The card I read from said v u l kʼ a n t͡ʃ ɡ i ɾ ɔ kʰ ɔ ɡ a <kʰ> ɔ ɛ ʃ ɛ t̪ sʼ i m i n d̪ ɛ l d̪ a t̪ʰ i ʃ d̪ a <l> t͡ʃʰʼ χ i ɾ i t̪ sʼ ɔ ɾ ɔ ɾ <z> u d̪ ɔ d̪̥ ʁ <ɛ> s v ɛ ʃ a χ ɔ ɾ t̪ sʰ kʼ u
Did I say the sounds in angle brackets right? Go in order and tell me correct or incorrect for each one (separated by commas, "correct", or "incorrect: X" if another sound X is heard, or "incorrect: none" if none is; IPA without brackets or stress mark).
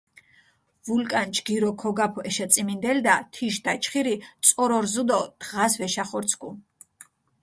incorrect: pʰ, incorrect: none, correct, incorrect: a